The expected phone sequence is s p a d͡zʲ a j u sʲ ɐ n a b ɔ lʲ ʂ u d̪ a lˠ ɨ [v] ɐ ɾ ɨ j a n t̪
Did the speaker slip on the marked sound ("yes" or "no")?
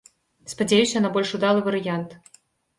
no